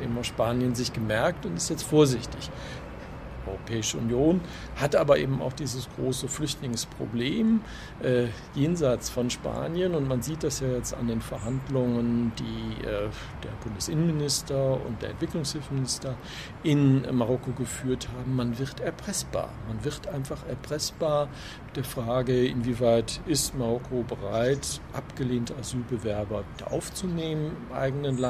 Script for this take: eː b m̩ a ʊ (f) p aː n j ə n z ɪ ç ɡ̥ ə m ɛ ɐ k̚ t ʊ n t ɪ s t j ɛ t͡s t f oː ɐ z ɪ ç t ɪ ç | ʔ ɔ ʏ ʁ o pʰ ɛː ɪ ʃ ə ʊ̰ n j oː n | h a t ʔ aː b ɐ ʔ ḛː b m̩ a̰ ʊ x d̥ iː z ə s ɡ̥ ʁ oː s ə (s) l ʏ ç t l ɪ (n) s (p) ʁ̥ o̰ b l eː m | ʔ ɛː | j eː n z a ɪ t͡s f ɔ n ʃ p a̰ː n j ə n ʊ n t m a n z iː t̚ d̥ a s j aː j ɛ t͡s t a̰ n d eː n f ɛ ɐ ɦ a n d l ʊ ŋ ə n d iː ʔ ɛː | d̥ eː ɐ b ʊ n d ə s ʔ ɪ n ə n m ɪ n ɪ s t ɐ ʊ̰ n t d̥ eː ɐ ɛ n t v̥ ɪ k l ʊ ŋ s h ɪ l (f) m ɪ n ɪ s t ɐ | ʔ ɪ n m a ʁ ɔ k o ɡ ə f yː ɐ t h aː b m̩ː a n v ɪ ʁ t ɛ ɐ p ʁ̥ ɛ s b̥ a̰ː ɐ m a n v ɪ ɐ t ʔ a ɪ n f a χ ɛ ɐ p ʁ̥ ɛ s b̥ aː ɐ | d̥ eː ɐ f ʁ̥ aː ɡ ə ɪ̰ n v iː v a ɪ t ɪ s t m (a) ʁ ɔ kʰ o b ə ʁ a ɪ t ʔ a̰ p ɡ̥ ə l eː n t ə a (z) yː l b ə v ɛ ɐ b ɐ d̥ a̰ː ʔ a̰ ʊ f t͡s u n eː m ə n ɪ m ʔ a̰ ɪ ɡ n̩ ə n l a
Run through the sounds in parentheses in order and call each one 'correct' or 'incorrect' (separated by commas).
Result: incorrect, incorrect, incorrect, correct, correct, correct, correct